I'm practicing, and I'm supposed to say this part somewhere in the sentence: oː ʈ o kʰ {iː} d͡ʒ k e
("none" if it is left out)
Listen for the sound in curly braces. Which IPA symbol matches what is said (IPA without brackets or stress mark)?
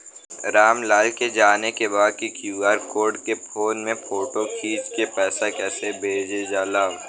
iː